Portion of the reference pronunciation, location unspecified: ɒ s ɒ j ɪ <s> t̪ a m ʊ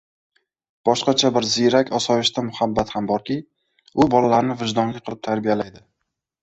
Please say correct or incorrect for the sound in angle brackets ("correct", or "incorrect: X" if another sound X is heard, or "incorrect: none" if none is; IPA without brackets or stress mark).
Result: incorrect: ʃ